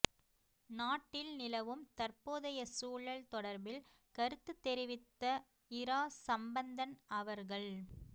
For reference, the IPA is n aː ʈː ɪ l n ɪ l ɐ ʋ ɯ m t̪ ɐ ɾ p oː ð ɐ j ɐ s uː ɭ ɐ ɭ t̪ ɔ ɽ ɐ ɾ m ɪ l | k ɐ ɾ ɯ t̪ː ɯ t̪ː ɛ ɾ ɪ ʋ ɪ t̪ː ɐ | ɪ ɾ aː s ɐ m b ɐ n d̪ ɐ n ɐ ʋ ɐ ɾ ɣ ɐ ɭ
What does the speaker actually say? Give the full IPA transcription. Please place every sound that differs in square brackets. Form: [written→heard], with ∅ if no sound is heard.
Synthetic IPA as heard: n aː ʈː ɪ l n ɪ l ɐ ʋ ɯ m t̪ ɐ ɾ p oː ð ɐ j ɐ s uː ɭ ɐ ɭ t̪ ɔ ɽ ɐ ɾ [m→b] ɪ l | k ɐ ɾ ɯ t̪ː ɯ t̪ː ɛ ɾ ɪ ʋ ɪ t̪ː ɐ | ɪ ɾ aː s ɐ m b ɐ n d̪ ɐ n ɐ ʋ ɐ ɾ ɣ ɐ ɭ